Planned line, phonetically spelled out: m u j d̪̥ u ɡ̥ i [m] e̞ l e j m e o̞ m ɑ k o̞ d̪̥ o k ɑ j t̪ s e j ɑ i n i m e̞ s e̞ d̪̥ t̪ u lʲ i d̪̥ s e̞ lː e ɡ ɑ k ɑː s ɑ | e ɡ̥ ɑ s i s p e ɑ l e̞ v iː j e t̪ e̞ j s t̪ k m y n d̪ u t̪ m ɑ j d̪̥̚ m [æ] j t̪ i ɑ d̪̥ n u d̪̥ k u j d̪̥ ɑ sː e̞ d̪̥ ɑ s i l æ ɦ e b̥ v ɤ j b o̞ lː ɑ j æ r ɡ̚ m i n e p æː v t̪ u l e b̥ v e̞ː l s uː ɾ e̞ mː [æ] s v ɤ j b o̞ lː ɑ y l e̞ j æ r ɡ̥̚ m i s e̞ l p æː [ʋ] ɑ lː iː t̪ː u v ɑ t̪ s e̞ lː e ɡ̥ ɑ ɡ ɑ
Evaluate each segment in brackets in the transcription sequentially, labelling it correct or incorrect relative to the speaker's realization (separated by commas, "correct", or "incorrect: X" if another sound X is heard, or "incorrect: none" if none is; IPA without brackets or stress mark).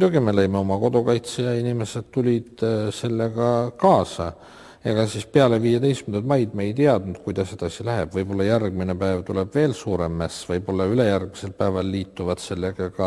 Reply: correct, incorrect: e, correct, incorrect: v